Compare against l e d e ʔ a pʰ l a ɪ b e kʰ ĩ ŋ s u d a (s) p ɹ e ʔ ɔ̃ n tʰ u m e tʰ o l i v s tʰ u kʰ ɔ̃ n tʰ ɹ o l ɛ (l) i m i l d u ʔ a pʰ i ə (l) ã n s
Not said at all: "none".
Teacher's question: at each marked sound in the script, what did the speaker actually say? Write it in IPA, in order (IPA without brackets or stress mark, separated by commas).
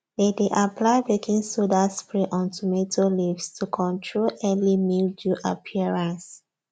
s, l, ɹ